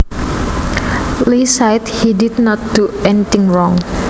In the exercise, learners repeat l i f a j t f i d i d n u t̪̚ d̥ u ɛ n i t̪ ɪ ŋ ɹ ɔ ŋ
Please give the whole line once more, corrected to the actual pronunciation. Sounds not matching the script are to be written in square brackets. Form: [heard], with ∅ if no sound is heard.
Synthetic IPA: l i [s] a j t [h] i d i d n [ɔ] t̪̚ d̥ u ɛ n i t̪ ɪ ŋ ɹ ɔ ŋ